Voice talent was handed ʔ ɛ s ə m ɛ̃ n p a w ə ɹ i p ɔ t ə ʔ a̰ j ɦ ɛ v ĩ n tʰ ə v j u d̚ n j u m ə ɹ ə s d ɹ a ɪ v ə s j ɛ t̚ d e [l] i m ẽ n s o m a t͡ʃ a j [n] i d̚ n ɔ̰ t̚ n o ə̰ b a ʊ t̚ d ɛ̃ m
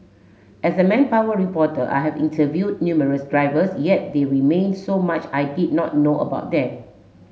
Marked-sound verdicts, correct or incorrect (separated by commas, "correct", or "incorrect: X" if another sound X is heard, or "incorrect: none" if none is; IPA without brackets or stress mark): incorrect: ɹ, incorrect: d